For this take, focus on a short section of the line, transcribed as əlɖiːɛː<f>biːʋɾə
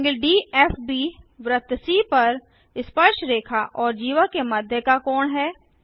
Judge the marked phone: correct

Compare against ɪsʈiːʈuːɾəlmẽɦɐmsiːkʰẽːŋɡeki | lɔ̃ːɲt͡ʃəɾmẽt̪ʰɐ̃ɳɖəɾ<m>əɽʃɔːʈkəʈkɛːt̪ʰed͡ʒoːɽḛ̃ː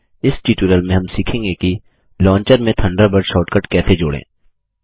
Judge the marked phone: incorrect: b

